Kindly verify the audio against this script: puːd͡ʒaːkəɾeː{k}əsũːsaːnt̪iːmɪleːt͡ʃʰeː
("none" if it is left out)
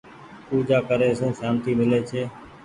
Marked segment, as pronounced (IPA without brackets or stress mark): none